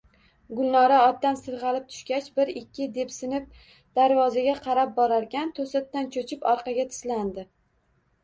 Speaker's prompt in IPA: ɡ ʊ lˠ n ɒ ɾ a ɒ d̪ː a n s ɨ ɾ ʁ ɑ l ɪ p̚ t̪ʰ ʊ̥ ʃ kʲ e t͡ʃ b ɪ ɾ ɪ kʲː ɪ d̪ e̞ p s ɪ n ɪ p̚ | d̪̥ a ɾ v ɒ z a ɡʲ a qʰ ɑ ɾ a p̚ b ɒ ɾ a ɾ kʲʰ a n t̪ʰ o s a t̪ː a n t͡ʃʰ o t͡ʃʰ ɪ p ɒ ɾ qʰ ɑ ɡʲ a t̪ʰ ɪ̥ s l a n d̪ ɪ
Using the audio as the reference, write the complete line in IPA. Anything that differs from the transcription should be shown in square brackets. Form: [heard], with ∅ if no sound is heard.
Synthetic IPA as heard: ɡ ʊ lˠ n ɒ ɾ a ɒ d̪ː a n s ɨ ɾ ʁ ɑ l ɪ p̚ t̪ʰ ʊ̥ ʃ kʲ [a] t͡ʃ b ɪ ɾ ɪ kʲː ɪ d̪ e̞ p s ɪ n ɪ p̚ | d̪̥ a ɾ v ɒ z a ɡʲ a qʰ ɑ ɾ a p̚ b ɒ ɾ a ɾ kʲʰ a n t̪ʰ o s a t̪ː a n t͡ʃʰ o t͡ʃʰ ɪ p ɒ ɾ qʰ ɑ ɡʲ a t̪ʰ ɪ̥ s l a n d̪ ɪ